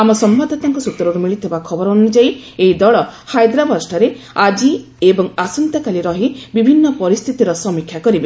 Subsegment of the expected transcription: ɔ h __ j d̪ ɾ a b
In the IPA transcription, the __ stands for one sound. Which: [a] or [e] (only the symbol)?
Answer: a